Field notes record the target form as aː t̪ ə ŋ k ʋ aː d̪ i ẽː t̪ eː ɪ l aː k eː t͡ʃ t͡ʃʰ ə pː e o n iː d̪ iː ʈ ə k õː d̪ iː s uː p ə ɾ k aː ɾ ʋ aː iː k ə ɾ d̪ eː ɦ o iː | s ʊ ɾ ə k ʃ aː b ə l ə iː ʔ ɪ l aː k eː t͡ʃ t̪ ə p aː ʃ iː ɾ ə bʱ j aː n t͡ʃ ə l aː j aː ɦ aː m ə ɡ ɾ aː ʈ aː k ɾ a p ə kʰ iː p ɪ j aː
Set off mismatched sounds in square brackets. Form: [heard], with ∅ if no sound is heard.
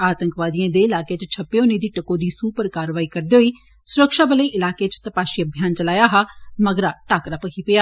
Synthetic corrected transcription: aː t̪ ə ŋ k ʋ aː d̪ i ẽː [d̪] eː ɪ l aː k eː t͡ʃ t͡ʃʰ ə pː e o n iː d̪ iː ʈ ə k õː d̪ iː s uː p ə ɾ k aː ɾ ʋ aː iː k ə ɾ d̪ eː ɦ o iː | s ʊ ɾ ə k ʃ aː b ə l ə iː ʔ ɪ l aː k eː t͡ʃ t̪ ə p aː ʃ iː [∅] ə bʱ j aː n t͡ʃ ə l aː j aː ɦ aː m ə ɡ ɾ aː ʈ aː k ɾ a p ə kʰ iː p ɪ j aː